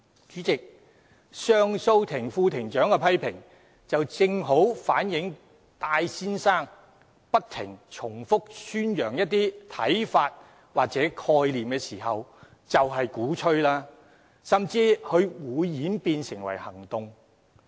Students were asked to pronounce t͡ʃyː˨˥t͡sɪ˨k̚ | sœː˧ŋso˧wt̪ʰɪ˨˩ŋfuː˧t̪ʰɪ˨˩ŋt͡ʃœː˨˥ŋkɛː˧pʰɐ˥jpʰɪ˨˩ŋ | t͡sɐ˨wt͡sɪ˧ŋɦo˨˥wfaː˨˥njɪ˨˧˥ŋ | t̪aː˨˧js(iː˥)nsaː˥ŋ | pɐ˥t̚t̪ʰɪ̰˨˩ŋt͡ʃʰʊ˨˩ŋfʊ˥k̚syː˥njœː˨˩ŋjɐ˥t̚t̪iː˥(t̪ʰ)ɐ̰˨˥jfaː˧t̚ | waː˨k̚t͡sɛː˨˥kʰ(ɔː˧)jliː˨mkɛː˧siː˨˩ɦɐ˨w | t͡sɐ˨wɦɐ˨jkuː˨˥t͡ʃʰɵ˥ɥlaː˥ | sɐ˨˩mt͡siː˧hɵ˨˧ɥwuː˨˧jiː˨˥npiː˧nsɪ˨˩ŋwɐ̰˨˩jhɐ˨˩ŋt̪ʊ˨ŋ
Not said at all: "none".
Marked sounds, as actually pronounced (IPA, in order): iː˥, t̪ʰ, ɔː˧

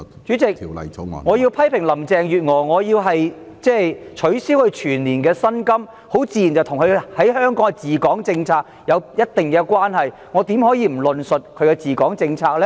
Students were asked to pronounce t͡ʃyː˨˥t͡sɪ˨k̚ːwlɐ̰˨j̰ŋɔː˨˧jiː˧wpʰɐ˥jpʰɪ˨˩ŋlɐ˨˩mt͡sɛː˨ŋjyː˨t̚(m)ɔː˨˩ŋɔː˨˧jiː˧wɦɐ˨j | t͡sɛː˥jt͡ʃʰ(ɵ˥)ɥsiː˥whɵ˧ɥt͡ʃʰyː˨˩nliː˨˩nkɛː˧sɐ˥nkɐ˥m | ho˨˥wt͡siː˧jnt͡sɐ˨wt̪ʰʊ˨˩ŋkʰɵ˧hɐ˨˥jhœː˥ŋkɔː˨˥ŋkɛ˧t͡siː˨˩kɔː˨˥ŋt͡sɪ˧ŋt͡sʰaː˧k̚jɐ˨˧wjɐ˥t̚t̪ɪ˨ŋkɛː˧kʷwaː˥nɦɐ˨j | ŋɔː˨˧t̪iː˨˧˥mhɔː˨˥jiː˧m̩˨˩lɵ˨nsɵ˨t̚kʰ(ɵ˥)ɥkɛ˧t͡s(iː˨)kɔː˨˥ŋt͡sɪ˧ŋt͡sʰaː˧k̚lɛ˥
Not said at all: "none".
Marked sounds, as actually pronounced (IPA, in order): ŋ, ɵ˨˥, ɵ˨˧, iː˨

